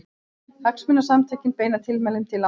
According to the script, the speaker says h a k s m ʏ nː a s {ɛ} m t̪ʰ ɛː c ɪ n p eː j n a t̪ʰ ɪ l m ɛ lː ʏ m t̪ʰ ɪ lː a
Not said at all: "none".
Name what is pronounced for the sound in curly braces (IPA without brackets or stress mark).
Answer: a